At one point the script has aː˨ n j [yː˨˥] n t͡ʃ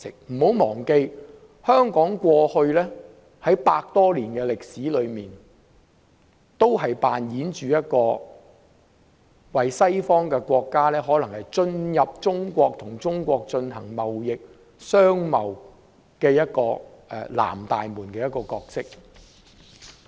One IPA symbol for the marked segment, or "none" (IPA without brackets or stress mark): iː˨˥